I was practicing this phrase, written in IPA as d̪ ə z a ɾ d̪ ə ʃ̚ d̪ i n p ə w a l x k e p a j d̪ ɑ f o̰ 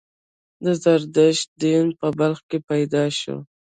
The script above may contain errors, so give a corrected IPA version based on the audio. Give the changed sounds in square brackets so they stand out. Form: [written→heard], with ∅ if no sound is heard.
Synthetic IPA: d̪ ə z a ɾ d̪ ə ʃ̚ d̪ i n p ə [w→b] a l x k e p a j d̪ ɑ [f→ʃ] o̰